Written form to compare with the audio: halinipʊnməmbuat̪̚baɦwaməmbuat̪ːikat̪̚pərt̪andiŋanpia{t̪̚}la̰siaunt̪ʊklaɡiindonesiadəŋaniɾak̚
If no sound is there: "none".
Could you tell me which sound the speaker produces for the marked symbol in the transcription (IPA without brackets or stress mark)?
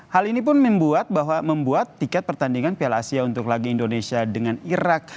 none